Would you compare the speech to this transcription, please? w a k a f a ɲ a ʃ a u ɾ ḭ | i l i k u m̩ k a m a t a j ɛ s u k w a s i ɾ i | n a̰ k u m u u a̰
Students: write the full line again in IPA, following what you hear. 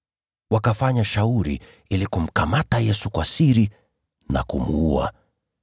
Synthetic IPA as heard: w a k a f a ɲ a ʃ a u ɾ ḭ | i l i k u m̩ k a m a t a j ɛ s u k w a s i ɾ i | n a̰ k u m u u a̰